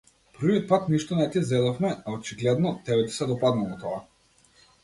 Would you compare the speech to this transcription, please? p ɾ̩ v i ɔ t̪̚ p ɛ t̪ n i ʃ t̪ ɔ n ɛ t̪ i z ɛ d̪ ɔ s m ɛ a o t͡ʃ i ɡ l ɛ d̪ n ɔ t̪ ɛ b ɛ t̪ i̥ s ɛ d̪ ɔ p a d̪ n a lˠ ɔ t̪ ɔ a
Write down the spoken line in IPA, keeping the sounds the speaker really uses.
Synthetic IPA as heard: p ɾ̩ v i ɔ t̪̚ p a t̪ n i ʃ t̪ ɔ n ɛ t̪ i z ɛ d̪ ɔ f m ɛ a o t͡ʃ i ɡ l ɛ d̪ n ɔ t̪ ɛ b ɛ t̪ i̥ s ɛ d̪ ɔ p a d̪ n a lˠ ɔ t̪ ɔ a